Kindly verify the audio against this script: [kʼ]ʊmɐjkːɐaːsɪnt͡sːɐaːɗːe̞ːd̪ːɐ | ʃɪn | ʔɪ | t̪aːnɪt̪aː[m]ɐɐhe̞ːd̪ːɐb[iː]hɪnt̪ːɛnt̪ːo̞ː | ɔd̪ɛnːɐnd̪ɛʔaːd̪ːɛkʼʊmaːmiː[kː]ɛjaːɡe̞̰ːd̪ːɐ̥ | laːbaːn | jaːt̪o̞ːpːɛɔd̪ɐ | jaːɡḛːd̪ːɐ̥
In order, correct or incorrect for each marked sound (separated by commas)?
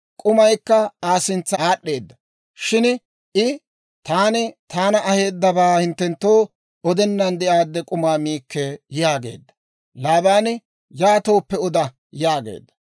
correct, incorrect, incorrect, correct